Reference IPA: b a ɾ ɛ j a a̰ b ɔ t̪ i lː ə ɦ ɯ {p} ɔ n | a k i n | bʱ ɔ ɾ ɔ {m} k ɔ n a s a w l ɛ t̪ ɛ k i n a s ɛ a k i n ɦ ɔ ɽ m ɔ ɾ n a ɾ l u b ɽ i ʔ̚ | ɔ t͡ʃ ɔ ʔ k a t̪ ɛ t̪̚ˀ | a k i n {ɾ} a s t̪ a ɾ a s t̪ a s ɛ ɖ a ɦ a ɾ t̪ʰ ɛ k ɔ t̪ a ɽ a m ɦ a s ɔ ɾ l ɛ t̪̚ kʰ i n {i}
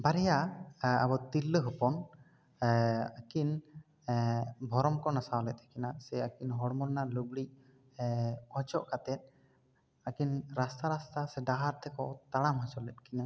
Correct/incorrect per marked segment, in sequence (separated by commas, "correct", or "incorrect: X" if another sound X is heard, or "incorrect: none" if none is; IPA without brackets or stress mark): correct, correct, correct, incorrect: a